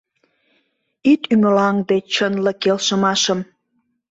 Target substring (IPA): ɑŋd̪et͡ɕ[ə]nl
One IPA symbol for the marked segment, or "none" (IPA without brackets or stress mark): ə